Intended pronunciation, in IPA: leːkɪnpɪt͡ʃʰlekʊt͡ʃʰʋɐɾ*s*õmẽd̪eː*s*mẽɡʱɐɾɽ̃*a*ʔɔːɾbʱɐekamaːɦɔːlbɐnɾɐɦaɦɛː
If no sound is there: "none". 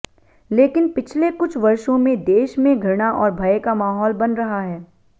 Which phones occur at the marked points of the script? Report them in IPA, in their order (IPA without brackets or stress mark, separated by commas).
ʃ, ʃ, a